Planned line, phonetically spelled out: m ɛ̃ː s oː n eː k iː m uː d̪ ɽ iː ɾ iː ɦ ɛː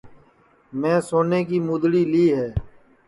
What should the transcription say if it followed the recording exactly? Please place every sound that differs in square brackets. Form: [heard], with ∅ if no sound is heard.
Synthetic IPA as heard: m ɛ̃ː s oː n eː k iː m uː d̪ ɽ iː [l] iː ɦ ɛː

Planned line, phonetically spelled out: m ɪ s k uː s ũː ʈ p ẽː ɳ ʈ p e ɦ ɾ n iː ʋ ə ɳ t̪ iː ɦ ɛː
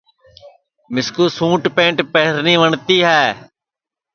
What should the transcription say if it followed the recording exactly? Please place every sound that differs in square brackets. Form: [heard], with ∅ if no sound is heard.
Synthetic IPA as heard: m ɪ s k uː s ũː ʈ p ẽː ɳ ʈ p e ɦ ɾ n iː ʋ ə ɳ t̪ iː ɦ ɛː

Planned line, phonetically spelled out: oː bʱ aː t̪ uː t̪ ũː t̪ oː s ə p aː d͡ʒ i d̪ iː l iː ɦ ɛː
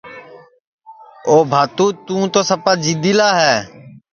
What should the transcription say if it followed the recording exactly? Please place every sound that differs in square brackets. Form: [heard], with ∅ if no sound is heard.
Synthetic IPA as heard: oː bʱ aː t̪ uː t̪ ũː t̪ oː s ə p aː d͡ʒ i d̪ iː l [aː] ɦ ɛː

